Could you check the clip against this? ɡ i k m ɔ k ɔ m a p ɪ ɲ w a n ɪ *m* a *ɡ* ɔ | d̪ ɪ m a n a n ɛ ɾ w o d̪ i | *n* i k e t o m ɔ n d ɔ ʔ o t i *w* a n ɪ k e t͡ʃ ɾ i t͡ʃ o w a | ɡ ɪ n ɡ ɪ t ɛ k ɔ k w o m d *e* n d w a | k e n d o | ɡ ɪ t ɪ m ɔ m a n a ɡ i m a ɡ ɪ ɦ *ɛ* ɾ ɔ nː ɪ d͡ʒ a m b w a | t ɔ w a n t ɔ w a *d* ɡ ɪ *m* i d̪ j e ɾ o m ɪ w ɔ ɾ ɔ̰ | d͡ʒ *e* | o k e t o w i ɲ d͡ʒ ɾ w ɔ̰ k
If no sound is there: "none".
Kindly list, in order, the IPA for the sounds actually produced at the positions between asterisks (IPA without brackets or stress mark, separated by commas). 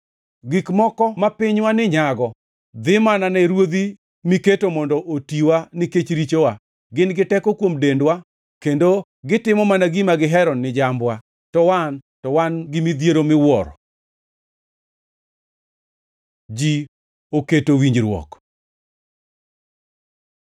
ɲ, ɡ, m, w, e, ɛ, n, m, i